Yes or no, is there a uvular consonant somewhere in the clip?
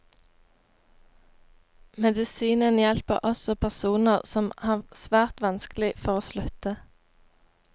yes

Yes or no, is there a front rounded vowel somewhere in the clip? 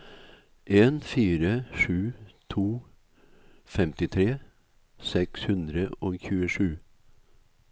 no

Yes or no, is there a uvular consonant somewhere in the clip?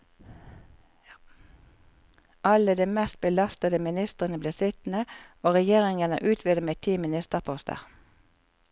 yes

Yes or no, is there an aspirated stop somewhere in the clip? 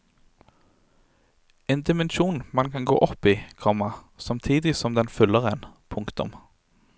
yes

